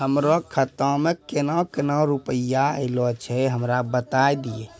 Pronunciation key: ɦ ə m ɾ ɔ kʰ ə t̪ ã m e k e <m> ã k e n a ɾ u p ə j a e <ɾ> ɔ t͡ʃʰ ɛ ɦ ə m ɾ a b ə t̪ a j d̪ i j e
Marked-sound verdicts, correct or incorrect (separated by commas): incorrect, incorrect